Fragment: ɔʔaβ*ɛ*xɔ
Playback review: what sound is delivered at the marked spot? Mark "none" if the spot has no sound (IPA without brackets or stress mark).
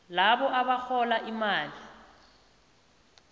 a